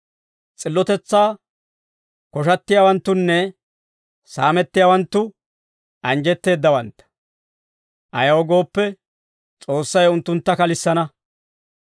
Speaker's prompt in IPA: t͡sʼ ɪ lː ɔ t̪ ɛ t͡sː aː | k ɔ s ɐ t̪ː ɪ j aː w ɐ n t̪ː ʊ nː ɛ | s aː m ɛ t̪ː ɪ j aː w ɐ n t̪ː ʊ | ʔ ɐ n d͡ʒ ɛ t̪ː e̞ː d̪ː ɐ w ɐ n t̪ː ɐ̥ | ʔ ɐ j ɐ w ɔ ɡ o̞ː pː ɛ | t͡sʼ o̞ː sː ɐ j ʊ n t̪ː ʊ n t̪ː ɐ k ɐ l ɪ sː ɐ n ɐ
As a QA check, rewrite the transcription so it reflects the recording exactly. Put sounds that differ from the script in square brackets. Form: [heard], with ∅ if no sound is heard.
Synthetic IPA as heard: t͡sʼ ɪ lː ɔ t̪ ɛ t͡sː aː | k ɔ [ʃ] ɐ t̪ː ɪ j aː w ɐ n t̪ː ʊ nː ɛ | s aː m ɛ t̪ː ɪ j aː w ɐ n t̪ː ʊ | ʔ ɐ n d͡ʒ ɛ t̪ː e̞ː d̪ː ɐ w ɐ n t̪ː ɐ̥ | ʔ ɐ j ɐ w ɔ ɡ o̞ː pː ɛ | t͡sʼ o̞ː sː ɐ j ʊ n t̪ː ʊ n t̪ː ɐ k ɐ l ɪ sː ɐ n ɐ